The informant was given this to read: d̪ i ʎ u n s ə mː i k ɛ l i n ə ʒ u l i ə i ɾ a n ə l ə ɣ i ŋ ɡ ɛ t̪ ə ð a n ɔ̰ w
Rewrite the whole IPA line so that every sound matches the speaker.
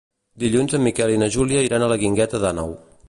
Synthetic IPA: d̪ i ʎ u n z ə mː i k ɛ l i n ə ʒ u l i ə i ɾ a n ə l ə ɣ i ŋ ɡ ɛ t̪ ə ð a n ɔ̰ w